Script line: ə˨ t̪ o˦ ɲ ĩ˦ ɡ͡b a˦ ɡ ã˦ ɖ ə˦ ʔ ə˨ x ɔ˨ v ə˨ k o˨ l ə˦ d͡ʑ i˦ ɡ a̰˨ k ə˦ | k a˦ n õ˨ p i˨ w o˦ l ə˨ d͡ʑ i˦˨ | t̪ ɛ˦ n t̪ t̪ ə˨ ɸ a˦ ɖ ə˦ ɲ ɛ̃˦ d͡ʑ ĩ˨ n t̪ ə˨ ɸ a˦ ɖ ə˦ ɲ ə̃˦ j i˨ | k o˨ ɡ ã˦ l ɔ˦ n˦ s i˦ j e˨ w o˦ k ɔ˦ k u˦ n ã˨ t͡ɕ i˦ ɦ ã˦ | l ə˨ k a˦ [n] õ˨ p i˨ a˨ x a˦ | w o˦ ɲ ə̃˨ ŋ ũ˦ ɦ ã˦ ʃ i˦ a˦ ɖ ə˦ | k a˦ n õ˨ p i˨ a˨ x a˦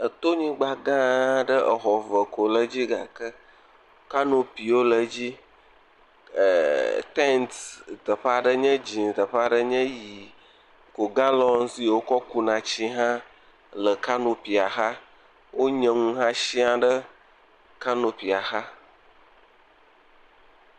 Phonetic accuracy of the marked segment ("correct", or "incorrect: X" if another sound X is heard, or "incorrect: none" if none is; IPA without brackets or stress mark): correct